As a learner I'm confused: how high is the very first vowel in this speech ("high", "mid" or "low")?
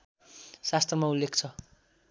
low